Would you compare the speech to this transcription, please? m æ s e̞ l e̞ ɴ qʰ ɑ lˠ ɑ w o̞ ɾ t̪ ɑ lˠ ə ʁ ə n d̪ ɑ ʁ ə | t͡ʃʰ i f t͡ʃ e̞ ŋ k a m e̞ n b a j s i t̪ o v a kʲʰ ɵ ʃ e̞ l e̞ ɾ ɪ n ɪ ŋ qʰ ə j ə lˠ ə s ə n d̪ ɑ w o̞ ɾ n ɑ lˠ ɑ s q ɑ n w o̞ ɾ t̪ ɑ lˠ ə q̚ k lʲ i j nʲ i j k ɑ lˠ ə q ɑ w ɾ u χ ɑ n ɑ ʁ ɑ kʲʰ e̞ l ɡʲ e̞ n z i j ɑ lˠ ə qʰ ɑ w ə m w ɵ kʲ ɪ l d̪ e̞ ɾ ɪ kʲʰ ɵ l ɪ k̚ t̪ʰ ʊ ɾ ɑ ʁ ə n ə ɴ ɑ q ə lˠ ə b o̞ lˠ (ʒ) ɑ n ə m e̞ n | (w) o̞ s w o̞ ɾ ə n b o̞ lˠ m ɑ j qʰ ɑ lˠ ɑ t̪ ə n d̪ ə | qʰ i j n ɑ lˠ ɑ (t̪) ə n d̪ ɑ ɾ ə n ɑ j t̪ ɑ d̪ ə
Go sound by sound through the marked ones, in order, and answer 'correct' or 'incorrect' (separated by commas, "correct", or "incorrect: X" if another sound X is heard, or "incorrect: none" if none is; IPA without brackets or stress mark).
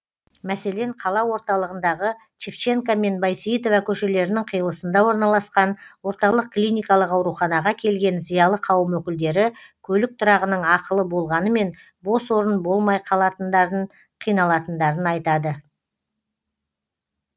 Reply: incorrect: ʁ, incorrect: b, correct